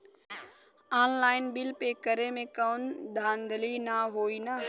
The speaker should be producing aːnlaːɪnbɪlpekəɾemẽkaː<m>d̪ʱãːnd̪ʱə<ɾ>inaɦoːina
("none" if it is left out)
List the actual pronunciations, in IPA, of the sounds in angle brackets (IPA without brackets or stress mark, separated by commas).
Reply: n, l